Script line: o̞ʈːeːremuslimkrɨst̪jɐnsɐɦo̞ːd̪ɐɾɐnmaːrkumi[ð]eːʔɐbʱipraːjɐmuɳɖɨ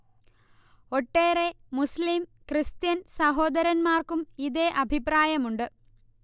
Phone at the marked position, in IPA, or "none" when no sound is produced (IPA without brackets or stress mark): ð